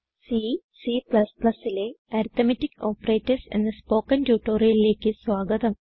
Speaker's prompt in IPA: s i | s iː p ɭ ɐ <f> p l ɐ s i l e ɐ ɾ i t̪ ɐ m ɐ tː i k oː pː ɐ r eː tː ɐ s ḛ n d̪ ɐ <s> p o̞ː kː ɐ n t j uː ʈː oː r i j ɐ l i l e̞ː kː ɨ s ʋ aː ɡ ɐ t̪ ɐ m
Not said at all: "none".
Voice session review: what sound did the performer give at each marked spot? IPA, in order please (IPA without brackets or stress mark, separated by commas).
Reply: s, s